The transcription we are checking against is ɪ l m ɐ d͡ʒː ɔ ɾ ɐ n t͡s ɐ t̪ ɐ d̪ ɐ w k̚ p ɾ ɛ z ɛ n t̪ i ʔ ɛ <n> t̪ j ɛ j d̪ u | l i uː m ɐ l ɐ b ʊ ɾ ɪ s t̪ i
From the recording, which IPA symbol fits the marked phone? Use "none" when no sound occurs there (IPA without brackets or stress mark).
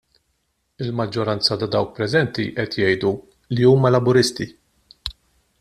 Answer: none